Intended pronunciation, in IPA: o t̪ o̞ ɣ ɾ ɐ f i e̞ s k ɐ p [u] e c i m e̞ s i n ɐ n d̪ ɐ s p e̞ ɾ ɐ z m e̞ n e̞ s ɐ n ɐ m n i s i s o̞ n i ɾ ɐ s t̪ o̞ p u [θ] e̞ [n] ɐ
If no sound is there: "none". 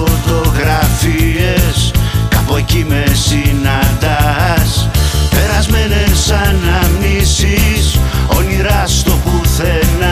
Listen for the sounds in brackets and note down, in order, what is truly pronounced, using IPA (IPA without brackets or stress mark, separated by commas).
o, θ, n